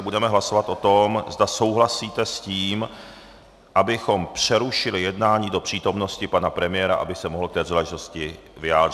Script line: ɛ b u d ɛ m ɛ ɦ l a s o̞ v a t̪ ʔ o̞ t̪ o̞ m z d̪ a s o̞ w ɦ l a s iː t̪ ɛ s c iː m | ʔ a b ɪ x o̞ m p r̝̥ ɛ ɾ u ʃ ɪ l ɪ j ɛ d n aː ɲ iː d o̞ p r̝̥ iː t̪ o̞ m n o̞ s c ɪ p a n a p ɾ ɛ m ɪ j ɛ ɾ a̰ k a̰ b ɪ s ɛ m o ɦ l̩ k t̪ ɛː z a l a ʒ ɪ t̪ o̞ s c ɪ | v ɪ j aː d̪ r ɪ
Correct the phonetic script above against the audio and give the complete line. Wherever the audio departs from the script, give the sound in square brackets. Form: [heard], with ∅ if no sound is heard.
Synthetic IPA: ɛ b u d ɛ m ɛ ɦ l a s o̞ v a t̪ ʔ o̞ t̪ o̞ m z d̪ a s o̞ w ɦ l a s iː t̪ ɛ s c iː m | ʔ a b ɪ x o̞ m p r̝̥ ɛ ɾ u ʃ ɪ l ɪ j ɛ d n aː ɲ iː d o̞ p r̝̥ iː t̪ o̞ m n o̞ s c ɪ p a n a p ɾ ɛ m ɪ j ɛ ɾ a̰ [ʔ] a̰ b ɪ s ɛ m o ɦ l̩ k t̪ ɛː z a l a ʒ ɪ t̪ o̞ s c ɪ | v ɪ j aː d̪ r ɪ